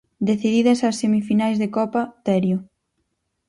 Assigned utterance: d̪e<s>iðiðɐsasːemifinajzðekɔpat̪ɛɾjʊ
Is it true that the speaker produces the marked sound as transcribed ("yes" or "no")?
no